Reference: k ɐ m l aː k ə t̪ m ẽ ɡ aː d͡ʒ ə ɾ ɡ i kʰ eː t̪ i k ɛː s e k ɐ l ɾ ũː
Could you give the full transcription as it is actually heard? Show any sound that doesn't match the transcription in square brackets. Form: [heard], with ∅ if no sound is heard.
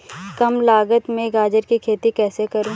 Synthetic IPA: k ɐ m l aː [ɡ] ə t̪ m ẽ ɡ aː d͡ʒ ə ɾ [k] i kʰ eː t̪ i k ɛː s e k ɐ [∅] ɾ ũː